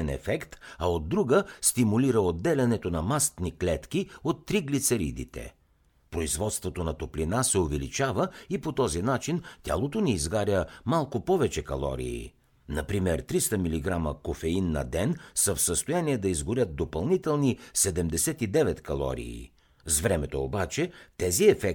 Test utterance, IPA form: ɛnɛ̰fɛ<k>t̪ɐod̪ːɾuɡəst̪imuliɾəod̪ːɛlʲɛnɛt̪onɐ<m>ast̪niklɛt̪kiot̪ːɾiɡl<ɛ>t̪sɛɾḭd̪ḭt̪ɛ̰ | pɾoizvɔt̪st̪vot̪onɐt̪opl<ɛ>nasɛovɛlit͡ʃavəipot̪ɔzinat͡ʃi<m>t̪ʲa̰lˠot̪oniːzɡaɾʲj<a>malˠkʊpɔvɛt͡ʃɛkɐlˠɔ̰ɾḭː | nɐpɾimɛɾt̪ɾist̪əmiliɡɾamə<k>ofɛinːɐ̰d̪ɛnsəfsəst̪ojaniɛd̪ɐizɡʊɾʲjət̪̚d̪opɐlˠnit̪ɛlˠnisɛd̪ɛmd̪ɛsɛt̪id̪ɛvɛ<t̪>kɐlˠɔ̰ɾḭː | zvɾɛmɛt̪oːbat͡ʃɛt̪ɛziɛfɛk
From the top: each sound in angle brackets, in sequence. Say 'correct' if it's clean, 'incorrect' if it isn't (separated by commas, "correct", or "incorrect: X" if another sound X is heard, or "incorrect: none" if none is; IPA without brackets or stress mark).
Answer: correct, correct, incorrect: i, incorrect: i, incorrect: n, incorrect: ə, correct, correct